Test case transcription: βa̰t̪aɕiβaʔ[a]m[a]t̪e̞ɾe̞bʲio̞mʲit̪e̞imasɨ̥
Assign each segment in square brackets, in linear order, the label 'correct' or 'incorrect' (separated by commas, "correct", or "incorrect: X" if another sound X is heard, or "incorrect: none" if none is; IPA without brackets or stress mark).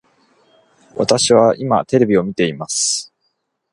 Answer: incorrect: i, correct